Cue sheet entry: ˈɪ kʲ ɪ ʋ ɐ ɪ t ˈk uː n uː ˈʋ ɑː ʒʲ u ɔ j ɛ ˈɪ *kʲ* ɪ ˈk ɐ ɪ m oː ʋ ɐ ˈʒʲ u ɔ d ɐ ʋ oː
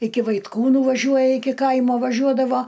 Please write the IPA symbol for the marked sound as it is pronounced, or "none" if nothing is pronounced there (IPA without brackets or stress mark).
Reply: kʲ